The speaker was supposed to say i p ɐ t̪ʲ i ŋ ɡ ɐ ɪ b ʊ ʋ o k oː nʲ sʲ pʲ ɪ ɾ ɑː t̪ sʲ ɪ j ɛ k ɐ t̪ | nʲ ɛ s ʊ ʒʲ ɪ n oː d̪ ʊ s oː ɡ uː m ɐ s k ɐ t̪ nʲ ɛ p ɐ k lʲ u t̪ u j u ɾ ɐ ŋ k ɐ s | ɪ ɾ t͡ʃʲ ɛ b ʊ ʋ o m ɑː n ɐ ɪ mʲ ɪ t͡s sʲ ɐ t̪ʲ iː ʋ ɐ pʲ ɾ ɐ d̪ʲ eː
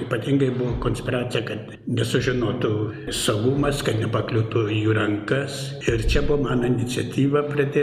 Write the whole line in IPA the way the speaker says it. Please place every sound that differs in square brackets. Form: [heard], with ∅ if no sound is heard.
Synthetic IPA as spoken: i p ɐ t̪ʲ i ŋ ɡ ɐ ɪ b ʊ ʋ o k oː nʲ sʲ pʲ ɪ ɾ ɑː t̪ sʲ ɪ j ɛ k ɐ t̪ | nʲ ɛ s ʊ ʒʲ ɪ n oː [t̪] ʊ s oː ɡ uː m ɐ s k ɐ t̪ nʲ ɛ p ɐ k lʲ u t̪ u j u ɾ ɐ ŋ k ɐ s | ɪ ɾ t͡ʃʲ ɛ b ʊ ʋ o m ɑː n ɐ ɪ [nʲ] ɪ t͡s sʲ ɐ t̪ʲ iː ʋ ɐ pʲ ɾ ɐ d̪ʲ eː